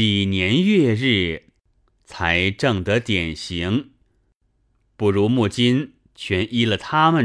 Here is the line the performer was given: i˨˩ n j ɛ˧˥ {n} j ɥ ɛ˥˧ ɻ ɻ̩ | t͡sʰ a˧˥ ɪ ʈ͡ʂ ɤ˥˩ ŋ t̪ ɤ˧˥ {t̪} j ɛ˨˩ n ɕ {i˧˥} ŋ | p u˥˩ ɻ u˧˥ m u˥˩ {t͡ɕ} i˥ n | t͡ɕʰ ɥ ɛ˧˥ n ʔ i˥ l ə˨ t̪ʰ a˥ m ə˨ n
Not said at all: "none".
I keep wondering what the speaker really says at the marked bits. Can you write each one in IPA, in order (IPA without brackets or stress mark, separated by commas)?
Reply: n, t̪, i˧˥, t͡ɕ